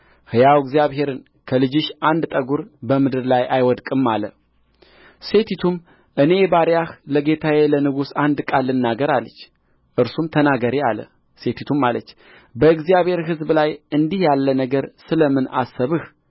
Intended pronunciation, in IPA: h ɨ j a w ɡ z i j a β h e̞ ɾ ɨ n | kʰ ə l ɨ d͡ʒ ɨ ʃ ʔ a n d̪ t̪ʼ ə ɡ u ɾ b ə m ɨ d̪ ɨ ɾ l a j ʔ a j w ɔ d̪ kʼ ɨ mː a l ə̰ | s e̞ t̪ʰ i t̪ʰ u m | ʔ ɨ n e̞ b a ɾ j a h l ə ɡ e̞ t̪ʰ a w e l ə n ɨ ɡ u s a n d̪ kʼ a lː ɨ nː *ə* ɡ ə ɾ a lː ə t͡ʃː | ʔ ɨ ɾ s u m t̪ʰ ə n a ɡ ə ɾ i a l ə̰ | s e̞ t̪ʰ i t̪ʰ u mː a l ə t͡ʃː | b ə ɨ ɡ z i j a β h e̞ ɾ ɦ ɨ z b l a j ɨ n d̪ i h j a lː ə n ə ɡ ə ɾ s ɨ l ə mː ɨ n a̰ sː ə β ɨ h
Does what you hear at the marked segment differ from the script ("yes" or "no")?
yes